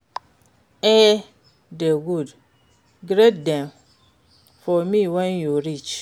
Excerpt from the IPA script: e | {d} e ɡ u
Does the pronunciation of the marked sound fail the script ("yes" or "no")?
no